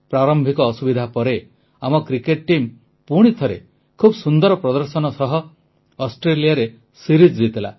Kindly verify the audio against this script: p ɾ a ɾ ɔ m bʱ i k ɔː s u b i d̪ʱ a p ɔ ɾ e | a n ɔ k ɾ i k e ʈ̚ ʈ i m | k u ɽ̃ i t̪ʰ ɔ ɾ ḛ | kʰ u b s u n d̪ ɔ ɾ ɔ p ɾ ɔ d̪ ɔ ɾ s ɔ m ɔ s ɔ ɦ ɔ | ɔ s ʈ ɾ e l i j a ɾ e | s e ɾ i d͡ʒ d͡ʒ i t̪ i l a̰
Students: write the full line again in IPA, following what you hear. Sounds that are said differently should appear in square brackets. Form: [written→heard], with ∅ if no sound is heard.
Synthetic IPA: p ɾ a ɾ ɔ m bʱ i k ɔː s u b i d̪ʱ a p ɔ ɾ e | a [n→m] ɔ k ɾ i k e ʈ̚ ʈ i m | [k→p] u ɽ̃ i t̪ʰ ɔ ɾ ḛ | kʰ u b s u n d̪ ɔ ɾ ɔ p ɾ ɔ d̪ ɔ ɾ s ɔ [m→n] ɔ s ɔ ɦ ɔ | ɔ s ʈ ɾ e l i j a ɾ e | s [e→i] ɾ i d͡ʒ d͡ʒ i t̪ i l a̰